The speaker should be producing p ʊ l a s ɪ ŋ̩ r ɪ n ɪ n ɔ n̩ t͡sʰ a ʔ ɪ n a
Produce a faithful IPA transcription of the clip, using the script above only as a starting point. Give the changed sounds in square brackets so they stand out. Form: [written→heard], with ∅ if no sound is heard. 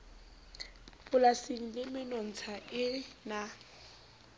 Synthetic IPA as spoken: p ʊ l a s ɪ ŋ̩ [r→l] ɪ [n→m] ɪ n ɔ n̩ t͡sʰ a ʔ ɪ n a